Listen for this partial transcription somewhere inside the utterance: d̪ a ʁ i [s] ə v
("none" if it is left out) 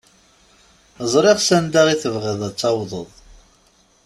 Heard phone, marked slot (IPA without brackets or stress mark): θ